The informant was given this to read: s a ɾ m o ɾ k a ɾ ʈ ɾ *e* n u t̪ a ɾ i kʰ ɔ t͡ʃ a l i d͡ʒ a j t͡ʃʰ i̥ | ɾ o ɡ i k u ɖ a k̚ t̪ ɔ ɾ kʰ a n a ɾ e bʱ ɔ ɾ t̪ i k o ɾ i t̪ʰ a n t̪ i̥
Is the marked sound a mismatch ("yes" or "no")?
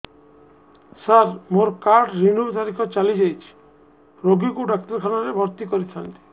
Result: yes